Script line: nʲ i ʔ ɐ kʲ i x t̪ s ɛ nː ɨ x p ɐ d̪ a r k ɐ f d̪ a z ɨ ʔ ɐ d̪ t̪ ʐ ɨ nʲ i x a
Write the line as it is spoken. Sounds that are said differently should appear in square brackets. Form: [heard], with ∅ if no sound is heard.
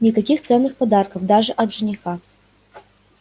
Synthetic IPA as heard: nʲ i [k] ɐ kʲ i x t̪ s ɛ nː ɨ x p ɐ d̪ a r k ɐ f d̪ a [ʐ] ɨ ʔ ɐ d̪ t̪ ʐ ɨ nʲ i x a